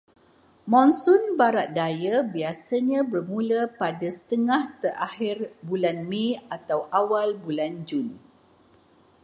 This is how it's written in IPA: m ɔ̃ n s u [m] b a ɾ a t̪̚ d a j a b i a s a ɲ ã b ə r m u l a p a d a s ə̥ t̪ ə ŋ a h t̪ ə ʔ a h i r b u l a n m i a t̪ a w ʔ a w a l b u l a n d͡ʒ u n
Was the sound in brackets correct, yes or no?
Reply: no